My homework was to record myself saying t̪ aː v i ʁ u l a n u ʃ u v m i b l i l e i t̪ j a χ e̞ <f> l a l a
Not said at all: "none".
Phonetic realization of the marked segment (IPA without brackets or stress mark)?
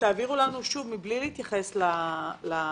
s